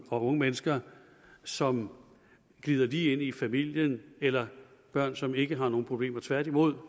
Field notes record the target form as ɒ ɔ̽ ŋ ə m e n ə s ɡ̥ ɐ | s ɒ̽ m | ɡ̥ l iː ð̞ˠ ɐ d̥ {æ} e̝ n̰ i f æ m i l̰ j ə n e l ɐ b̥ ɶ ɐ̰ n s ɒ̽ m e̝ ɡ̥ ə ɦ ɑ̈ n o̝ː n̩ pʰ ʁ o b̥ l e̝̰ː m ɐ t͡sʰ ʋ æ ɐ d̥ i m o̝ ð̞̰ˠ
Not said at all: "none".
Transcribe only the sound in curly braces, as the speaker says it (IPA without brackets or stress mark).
i